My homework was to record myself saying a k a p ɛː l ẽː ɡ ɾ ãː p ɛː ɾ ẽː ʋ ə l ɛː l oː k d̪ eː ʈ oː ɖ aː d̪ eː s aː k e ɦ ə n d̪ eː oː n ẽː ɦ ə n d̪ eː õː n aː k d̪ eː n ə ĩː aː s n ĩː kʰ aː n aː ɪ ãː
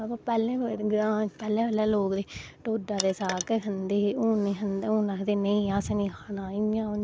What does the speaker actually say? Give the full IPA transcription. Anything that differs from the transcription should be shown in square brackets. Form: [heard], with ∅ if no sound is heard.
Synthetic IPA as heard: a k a p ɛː l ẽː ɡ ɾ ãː p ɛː [l] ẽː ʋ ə l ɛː l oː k d̪ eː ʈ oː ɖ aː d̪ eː s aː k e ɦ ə n d̪ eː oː n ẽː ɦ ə n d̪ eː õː n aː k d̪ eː n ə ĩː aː s n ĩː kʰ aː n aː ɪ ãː

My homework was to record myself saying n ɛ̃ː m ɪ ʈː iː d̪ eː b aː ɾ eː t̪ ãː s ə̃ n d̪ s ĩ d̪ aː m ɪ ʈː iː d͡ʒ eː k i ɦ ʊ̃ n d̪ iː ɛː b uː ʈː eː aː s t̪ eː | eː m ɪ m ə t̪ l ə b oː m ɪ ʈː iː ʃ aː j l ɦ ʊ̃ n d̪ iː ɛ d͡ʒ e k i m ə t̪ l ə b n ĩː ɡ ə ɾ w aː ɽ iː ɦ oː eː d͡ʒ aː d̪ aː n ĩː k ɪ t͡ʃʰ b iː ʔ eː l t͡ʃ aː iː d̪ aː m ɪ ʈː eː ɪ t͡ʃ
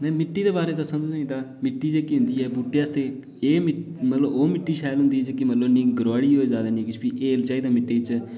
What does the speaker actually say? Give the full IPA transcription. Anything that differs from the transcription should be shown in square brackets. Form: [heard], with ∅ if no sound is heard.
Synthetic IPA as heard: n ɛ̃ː m ɪ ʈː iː d̪ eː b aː ɾ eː t̪ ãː s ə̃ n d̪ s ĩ d̪ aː m ɪ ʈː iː d͡ʒ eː k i ɦ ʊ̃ n d̪ iː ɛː b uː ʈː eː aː s t̪ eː | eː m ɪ m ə t̪ l ə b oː m ɪ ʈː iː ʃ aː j l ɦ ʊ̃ n d̪ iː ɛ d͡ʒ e k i m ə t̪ l ə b n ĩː ɡ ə ɾ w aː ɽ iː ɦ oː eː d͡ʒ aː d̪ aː n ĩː k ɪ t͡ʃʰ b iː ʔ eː l t͡ʃ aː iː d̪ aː m ɪ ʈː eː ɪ t͡ʃ

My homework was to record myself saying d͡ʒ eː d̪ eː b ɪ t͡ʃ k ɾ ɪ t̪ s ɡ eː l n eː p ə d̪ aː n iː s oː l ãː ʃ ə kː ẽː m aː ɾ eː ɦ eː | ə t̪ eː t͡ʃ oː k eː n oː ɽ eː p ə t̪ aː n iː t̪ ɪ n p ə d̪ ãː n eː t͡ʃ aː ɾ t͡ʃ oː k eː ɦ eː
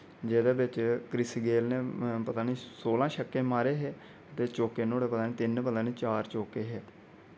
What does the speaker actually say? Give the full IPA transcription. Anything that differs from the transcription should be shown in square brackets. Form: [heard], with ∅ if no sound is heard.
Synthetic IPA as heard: d͡ʒ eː d̪ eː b ɪ t͡ʃ k ɾ ɪ [∅] s ɡ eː l n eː p ə [t̪] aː n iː s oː l ãː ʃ ə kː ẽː m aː ɾ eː ɦ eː | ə t̪ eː t͡ʃ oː k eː n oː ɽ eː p ə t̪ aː n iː t̪ ɪ n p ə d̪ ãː n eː t͡ʃ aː ɾ t͡ʃ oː k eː ɦ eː

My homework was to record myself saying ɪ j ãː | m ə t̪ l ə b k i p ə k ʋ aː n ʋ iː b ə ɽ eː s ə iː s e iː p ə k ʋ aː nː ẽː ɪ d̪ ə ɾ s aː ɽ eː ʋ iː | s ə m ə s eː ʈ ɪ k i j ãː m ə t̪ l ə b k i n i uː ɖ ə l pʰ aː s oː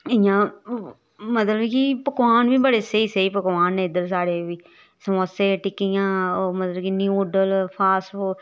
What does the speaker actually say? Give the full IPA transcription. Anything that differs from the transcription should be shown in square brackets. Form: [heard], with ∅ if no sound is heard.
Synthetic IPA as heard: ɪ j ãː | m ə t̪ l ə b k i p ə k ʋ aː n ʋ iː b ə ɽ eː s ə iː s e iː p ə k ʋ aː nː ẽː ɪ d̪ ə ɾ s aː ɽ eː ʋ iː | s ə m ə s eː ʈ ɪ k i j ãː m ə t̪ l ə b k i n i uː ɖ ə l pʰ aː s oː

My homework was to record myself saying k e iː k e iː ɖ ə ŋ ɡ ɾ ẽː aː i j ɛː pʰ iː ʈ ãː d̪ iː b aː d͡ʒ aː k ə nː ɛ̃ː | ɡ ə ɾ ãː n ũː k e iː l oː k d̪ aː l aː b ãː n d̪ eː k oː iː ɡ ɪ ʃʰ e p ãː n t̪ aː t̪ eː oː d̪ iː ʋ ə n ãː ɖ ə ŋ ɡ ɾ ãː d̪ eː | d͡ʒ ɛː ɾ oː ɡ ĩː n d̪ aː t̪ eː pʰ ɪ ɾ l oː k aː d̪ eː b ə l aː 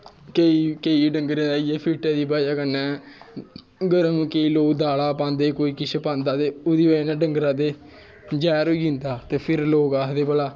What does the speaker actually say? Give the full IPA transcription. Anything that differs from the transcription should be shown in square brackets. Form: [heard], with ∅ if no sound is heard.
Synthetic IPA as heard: k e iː k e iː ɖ ə ŋ ɡ ɾ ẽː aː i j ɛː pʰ iː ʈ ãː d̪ iː b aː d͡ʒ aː k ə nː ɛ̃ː | ɡ ə ɾ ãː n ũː k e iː l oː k d̪ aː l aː [p] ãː n d̪ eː k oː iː [k] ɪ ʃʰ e p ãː n [d̪] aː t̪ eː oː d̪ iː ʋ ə n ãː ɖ ə ŋ ɡ ɾ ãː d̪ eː | d͡ʒ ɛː ɾ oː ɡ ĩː n d̪ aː t̪ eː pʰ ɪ ɾ l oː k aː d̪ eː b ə l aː

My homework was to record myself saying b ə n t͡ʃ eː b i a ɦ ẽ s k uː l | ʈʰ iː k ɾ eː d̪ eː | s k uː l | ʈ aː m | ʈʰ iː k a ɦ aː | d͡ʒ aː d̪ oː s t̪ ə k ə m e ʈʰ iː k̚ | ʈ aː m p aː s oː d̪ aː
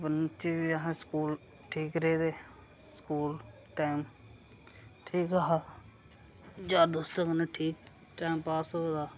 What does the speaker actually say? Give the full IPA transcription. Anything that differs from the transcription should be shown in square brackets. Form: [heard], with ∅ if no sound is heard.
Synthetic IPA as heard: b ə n t͡ʃ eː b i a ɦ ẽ s k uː l | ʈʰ iː k ɾ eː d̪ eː | s k uː l | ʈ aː m | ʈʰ iː k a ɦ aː | d͡ʒ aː d̪ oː s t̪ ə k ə [n] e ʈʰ iː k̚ | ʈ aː m p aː s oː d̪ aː

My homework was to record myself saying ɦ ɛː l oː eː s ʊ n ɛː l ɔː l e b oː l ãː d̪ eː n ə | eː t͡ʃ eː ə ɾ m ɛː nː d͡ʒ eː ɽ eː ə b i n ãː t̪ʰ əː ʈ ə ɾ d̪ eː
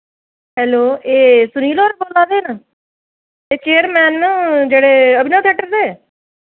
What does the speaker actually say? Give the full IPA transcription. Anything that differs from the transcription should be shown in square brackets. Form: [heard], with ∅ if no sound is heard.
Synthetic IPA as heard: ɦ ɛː l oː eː s ʊ n [iː] l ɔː [ɾ] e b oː l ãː d̪ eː n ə | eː t͡ʃ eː ə ɾ m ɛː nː d͡ʒ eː ɽ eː ə b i n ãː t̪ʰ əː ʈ ə ɾ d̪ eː

